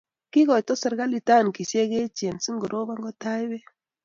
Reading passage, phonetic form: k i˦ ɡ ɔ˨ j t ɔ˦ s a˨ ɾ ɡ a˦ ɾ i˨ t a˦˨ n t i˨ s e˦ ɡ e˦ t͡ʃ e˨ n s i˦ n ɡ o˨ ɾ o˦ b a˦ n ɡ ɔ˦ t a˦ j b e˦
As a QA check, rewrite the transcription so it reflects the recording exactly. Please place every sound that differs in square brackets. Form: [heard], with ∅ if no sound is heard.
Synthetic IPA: k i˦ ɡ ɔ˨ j t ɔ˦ s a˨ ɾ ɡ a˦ [l] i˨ t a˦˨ n [k] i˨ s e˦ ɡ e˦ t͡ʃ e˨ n s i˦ [ŋ] ɡ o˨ ɾ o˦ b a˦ [ŋ] ɡ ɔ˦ t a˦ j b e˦